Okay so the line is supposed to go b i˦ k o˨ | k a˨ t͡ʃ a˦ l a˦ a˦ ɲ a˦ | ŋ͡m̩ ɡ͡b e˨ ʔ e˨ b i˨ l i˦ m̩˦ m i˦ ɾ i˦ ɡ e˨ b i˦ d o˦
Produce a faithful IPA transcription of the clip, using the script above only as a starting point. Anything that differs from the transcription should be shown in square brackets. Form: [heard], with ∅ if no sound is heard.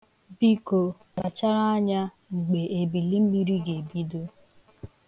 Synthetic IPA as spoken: b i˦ k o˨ | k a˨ t͡ʃ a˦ [ɾ] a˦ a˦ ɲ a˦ | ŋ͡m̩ ɡ͡b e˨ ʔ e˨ b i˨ l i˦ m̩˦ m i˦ ɾ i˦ ɡ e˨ b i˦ d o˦